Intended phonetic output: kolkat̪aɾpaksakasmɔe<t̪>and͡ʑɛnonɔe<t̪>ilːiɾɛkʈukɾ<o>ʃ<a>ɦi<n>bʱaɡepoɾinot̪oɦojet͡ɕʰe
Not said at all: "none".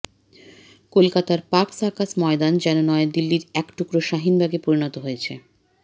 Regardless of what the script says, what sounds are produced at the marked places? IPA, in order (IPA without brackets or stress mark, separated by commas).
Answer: d̪, d̪, o, a, n